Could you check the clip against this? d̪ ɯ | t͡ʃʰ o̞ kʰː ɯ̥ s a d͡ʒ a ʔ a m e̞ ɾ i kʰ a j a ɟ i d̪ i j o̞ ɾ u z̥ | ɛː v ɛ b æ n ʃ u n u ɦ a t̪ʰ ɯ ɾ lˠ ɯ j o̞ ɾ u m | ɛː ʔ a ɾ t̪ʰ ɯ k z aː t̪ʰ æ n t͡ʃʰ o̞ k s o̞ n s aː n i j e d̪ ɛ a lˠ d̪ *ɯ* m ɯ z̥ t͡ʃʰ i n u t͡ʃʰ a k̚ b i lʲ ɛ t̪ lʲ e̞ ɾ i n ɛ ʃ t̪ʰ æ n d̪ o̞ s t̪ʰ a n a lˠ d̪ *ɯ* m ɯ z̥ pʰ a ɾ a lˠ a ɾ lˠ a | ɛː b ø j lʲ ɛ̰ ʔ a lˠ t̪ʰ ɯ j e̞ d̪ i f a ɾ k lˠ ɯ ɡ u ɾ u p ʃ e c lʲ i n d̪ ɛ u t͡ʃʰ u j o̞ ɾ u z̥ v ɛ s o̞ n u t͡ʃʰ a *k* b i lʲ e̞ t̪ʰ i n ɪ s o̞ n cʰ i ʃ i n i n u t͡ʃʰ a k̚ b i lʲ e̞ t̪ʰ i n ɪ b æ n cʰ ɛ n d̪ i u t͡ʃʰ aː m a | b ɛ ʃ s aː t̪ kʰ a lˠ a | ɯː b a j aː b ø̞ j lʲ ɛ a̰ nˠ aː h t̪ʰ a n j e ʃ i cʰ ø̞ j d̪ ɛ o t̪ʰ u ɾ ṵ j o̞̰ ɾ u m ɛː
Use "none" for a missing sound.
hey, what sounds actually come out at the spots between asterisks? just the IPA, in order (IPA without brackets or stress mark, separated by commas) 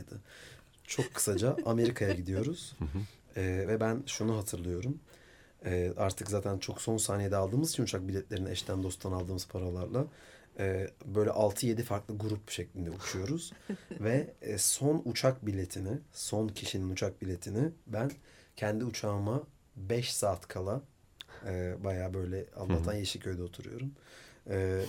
ɯː, ɯː, k